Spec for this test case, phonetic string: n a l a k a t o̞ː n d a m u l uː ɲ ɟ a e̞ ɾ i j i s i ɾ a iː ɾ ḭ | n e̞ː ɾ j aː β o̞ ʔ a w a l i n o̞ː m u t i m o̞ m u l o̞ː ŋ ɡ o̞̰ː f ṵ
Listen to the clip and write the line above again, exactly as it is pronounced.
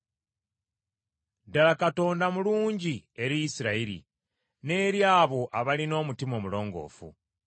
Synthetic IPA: d a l a k a t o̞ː n d a m u l uː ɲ ɟ i e̞ ɾ i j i s i ɾ a i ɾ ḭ | n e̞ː ɾ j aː β o̞ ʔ a β a l i n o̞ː m u t i m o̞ m u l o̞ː ŋ ɡ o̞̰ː f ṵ